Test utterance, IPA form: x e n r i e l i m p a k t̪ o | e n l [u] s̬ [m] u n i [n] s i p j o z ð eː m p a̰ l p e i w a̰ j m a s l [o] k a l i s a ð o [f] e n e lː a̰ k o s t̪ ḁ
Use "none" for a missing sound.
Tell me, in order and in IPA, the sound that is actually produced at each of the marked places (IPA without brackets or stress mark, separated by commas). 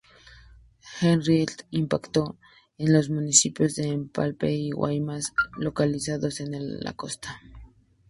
o, m, none, o, s